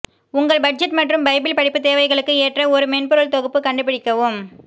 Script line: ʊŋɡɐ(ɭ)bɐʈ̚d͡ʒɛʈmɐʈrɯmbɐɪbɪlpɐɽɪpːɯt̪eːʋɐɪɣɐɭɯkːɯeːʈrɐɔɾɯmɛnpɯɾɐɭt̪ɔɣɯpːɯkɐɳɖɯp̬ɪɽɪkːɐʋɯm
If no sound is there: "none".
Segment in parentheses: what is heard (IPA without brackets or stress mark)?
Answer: ɭ